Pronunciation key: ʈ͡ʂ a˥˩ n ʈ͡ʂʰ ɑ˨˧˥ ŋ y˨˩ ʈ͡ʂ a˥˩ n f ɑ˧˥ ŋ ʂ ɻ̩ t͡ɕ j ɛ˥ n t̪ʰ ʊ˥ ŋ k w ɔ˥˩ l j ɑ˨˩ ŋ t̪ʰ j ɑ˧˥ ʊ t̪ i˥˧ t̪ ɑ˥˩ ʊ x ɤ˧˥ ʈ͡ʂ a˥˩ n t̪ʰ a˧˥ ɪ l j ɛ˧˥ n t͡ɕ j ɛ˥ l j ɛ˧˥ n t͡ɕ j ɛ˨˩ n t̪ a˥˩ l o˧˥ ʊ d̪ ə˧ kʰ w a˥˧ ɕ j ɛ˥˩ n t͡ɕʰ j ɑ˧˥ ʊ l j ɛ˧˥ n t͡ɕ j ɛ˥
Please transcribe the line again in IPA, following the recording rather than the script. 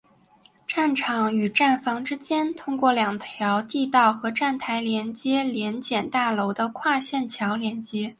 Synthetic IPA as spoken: ʈ͡ʂ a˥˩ n ʈ͡ʂʰ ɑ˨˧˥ ŋ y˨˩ ʈ͡ʂ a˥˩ n f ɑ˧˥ ŋ ʈ͡ʂ ɻ̩ t͡ɕ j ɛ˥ n t̪ʰ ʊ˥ ŋ k w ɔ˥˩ l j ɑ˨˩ ŋ t̪ʰ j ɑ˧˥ ʊ t̪ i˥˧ t̪ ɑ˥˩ ʊ x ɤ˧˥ ʈ͡ʂ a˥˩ n t̪ʰ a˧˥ ɪ l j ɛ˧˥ n t͡ɕ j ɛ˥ l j ɛ˧˥ n t͡ɕ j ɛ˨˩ n t̪ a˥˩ l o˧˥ ʊ d̪ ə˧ kʰ w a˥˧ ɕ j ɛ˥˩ n t͡ɕʰ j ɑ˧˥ ʊ l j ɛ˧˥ n t͡ɕ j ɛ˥

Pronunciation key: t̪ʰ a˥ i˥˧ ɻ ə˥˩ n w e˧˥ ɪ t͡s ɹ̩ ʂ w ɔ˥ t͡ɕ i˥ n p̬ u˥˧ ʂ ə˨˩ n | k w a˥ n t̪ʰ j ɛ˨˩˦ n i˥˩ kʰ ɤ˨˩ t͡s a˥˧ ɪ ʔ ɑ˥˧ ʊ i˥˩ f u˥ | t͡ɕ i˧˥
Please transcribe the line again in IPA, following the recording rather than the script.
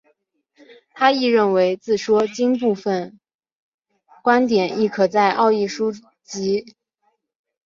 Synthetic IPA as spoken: t̪ʰ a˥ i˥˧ ɻ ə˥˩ n w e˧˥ ɪ t͡s ɹ̩ ʂ w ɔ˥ t͡ɕ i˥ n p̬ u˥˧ f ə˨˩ n | k w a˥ n t̪ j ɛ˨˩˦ n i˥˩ kʰ ɤ˨˩ t͡s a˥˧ ɪ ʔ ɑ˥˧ ʊ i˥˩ ʂ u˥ | t͡ɕ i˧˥

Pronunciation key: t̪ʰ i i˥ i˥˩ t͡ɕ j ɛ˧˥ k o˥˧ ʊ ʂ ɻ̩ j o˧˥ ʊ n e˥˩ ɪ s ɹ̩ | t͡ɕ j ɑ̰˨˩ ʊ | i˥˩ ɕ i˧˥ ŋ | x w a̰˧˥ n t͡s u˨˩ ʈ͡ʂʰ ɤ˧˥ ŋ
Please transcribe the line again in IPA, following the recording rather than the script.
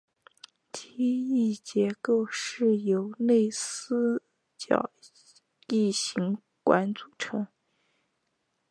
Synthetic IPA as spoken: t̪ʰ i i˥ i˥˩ t͡ɕ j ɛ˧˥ k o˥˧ ʊ ʂ ɻ̩ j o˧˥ ʊ n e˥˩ ɪ s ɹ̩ | t͡ɕ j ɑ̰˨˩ ʊ | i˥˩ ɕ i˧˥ ŋ | k w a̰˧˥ n t͡s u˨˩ ʈ͡ʂʰ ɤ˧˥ ŋ

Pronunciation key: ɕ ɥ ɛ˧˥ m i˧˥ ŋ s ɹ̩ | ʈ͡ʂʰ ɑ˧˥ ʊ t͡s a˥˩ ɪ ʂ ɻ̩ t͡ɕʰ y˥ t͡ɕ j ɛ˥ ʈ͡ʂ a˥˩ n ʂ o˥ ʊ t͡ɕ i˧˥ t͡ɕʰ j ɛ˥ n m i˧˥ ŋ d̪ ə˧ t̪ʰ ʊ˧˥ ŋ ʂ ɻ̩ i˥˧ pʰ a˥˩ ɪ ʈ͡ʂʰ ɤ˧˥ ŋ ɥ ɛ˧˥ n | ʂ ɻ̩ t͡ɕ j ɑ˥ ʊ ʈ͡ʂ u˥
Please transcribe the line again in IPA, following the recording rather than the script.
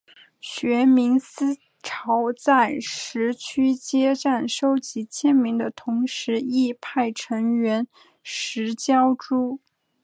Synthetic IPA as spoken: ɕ ɥ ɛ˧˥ m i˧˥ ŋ s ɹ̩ | ʈ͡ʂʰ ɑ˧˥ ʊ t͡s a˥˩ ɪ ʂ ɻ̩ t͡ɕʰ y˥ t͡ɕ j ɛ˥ ʈ͡ʂ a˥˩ n ʂ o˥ ʊ t͡ɕ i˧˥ t͡ɕʰ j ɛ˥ n m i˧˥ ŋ d̪ ə˧ t̪ʰ ʊ˧˥ ŋ ʂ ɻ̩ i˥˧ pʰ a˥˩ ɪ ʈ͡ʂʰ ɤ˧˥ ŋ ɥ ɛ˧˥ n | ʂ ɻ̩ t͡ɕ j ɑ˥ ʊ ʈ͡ʂ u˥

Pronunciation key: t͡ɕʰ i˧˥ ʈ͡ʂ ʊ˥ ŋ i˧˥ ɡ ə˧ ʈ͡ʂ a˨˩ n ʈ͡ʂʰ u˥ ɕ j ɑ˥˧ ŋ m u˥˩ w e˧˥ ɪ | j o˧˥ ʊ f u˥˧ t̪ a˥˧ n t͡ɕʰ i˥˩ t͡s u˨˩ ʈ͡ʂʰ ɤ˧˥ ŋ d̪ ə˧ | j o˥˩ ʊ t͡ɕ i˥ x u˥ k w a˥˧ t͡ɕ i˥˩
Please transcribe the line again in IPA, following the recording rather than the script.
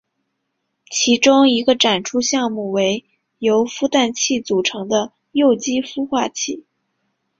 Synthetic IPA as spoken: t͡ɕʰ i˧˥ ʈ͡ʂ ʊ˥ ŋ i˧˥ ɡ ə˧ ʈ͡ʂ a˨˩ n ʈ͡ʂʰ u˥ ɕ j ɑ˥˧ ŋ m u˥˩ w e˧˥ ɪ | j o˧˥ ʊ f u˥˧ t̪ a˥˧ n t͡ɕʰ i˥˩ t͡s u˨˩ ʈ͡ʂʰ ɤ˧˥ ŋ d̪ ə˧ | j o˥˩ ʊ t͡ɕ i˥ f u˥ x w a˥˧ t͡ɕʰ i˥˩

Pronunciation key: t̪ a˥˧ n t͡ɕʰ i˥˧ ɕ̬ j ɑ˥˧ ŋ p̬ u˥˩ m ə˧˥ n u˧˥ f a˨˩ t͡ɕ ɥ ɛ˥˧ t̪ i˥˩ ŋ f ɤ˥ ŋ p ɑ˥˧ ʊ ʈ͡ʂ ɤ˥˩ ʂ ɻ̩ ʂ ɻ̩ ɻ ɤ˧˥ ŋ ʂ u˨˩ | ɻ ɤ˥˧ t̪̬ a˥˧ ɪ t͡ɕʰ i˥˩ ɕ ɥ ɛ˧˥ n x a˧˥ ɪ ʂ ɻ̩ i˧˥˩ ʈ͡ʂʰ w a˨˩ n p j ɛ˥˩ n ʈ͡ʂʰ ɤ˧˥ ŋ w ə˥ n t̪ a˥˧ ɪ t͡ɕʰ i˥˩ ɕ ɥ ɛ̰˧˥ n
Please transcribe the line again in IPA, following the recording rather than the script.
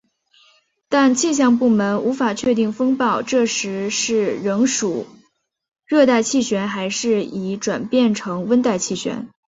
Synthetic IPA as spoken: t̪ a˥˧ n t͡ɕʰ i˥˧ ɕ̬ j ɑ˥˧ ŋ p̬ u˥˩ m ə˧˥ n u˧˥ f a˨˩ t͡ɕʰ ɥ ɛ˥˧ t̪ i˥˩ ŋ f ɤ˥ ŋ p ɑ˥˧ ʊ ʈ͡ʂ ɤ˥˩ ʂ ɻ̩ ʂ ɻ̩ ɻ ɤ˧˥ ŋ ʂ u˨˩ | ɻ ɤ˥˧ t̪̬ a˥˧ ɪ t͡ɕʰ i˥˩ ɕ ɥ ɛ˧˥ n x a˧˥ ɪ ʂ ɻ̩ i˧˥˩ ʈ͡ʂ w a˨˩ n p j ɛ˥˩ n ʈ͡ʂʰ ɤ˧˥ ŋ w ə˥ n t̪ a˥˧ ɪ t͡ɕʰ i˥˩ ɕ ɥ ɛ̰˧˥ n

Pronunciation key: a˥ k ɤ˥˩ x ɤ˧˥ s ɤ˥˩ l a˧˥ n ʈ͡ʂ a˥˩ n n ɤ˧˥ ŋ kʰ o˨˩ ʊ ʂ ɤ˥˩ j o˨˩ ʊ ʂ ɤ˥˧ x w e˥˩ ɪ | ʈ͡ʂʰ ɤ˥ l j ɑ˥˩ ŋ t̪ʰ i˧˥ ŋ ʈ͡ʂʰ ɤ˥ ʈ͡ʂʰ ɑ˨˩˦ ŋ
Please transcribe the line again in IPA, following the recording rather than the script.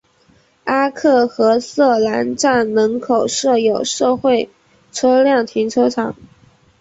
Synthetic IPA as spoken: a˥ kʰ ɤ˥˩ x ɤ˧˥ s ɤ˥˩ l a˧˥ n ʈ͡ʂ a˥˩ n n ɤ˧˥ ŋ kʰ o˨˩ ʊ ʂ ɤ˥˩ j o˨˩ ʊ ʂ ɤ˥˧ x w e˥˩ ɪ | ʈ͡ʂʰ ɤ˥ l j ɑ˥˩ ŋ t̪ʰ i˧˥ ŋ ʈ͡ʂʰ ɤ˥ ʈ͡ʂʰ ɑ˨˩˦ ŋ

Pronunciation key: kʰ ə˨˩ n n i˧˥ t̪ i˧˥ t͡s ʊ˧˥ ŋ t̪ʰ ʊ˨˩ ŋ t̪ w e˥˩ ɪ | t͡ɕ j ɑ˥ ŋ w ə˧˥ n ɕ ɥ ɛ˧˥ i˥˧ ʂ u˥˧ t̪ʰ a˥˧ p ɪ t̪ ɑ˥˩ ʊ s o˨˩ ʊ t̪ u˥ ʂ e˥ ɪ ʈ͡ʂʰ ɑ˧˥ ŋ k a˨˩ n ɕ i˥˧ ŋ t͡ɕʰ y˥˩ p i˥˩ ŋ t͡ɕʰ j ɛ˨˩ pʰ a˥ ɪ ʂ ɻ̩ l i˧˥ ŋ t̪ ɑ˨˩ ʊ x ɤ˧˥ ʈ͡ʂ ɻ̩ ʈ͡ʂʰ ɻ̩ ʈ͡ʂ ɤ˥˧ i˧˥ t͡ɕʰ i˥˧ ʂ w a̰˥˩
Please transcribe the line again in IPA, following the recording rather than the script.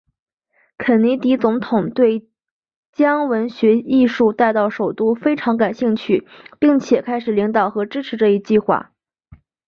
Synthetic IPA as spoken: kʰ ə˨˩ n n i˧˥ t̪ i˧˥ t͡s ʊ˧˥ ŋ t̪ʰ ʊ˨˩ ŋ t̪ w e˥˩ ɪ | t͡ɕ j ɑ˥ ŋ w ə˧˥ n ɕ ɥ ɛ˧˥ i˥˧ ʂ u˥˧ t̪ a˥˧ ɪ t̪ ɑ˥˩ ʊ ʂ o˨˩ ʊ t̪ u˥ f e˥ ɪ ʈ͡ʂʰ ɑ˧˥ ŋ k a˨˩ n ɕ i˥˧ ŋ t͡ɕʰ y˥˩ p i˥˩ ŋ t͡ɕʰ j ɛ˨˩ kʰ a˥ ɪ ʂ ɻ̩ l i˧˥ ŋ t̪ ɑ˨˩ ʊ x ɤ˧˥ ʈ͡ʂ ɻ̩ ʈ͡ʂʰ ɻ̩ ʈ͡ʂ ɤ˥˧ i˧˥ t͡ɕ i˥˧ x w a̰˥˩

